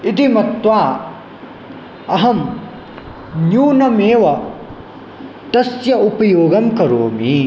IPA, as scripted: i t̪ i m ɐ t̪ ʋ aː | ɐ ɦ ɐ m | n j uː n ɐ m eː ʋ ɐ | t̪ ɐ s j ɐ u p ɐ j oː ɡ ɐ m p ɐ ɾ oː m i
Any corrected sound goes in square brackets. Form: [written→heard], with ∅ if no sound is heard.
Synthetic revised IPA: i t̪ i m ɐ t̪ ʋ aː | ɐ ɦ ɐ m | n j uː n ɐ m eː ʋ ɐ | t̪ ɐ s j ɐ u p ɐ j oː ɡ ɐ m [p→k] ɐ ɾ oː m i